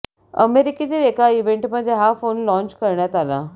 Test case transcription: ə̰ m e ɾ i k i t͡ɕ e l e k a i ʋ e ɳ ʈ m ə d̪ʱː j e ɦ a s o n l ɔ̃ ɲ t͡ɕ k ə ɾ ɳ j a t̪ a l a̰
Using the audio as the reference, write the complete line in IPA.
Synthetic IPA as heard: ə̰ m e ɾ i k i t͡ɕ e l e k a i ʋ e ɳ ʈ m ə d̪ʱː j e ɦ a f o n l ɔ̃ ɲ t͡ɕ k ə ɾ ɳ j a t̪ a l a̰

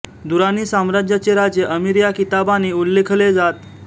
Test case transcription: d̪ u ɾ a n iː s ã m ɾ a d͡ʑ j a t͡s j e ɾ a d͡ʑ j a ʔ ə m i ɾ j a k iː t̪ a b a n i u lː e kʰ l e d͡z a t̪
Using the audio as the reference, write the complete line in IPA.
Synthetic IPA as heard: d̪ u ɾ a n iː s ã m ɾ a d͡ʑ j a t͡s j e ɾ a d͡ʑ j ə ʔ ə m i ɾ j a k i t̪ a b a n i u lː e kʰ l e d͡z a t̪

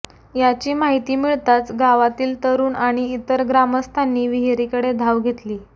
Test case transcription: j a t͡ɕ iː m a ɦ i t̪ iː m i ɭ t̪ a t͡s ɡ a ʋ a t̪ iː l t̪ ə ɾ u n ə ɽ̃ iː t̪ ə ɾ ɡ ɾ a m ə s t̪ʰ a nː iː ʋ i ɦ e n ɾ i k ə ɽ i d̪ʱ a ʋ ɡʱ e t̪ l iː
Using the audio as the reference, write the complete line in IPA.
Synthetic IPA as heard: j a t͡ɕ iː m a ɦ i t̪ iː m i ɭ t̪ a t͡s ɡ a ʋ a t̪ iː l t̪ ə ɾ uː n a ɽ̃ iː t̪ ə ɾ ɡ ɾ a m ə s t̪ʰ a nː iː ʋ i ɦ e ɾ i k ə ɽ e d̪ʱ a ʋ ɡʱ e t̪ l iː

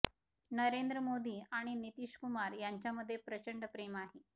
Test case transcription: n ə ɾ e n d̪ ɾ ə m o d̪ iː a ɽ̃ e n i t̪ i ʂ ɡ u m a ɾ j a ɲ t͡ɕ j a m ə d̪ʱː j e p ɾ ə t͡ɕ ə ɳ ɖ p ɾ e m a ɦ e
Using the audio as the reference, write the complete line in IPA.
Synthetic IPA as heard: n ə ɾ e n d̪ ɾ ə m o d̪ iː a ɽ̃ i n i t̪ i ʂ k u m a ɾ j a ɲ t͡ɕ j a m ə d̪ʱː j e p ɾ ə t͡ɕ ə ɳ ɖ p ɾ e m a ɦ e

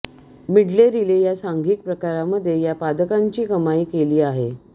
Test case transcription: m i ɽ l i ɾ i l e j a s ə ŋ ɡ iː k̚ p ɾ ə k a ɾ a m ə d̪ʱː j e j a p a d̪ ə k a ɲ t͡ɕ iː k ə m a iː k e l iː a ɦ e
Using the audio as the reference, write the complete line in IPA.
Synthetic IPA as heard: m i ɽ l e ɾ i l e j a s a ŋ ɡ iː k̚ p ɾ ə k a ɾ a m ə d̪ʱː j e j a p a d̪ ə k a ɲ t͡ɕ iː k ə m a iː k e l iː a ɦ e

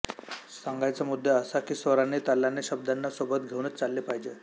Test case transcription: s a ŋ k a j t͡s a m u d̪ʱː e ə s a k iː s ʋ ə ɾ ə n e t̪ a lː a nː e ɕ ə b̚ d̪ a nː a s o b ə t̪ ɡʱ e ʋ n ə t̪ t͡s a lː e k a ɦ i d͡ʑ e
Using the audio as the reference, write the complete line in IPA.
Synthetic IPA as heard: s a ŋ ɡ a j t͡s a m u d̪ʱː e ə s a k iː s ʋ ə ɾ a n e t̪ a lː a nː e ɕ ə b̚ d̪ a nː a s o b ə t̪ ɡʱ e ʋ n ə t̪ t͡s a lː e p a ɦ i d͡ʑ e

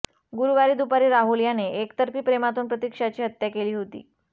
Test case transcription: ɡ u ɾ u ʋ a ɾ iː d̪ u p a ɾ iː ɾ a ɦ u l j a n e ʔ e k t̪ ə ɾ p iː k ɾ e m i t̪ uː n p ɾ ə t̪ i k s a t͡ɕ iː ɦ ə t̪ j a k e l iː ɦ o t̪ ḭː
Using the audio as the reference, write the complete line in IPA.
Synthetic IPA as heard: ɡ u ɾ u ʋ a ɾ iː d̪ u p a ɾ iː ɾ a ɦ u l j a n e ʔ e k t̪ ə ɾ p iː p ɾ e m a t̪ uː n p ɾ ə t̪ i k ʂ a t͡ɕ iː ɦ ə t̪ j a k e l iː ɦ o t̪ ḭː

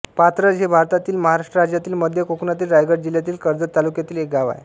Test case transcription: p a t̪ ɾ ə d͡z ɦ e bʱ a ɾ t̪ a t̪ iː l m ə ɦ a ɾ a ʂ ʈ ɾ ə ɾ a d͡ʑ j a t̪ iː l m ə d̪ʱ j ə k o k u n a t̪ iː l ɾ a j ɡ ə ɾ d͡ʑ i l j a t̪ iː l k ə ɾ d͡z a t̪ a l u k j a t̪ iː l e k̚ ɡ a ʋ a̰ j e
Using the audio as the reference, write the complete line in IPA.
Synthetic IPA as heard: p a t̪ ɾ ə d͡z ɦ e bʱ a ɾ t̪ a t̪ iː l m ə ɦ a ɾ a ʂ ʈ ɾ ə ɾ a d͡ʑ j a t̪ iː l m ə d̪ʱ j ə k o k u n a t̪ iː l ɾ a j ɡ ə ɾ d͡ʑ i l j a t̪ iː l k ə ɾ d͡z ə t̪ a l u k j a t̪ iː l e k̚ ɡ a ʋ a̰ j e

